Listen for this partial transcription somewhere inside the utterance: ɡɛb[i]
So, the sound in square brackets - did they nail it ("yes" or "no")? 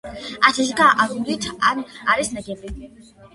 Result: yes